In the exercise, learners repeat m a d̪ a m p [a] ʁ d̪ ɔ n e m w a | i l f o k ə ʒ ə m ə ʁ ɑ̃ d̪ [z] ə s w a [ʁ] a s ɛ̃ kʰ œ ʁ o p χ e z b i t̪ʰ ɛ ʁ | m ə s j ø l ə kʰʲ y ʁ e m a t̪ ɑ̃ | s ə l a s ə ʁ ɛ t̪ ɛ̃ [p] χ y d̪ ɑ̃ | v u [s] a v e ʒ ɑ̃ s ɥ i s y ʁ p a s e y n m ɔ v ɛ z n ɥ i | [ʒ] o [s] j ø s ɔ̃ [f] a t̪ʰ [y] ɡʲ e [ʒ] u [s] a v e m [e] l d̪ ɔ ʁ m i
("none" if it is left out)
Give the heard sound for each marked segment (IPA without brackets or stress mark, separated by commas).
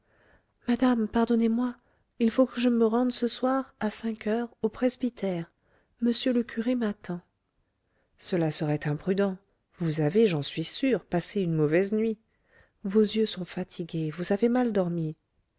a, s, ʁ, p, z, v, z, f, i, v, z, a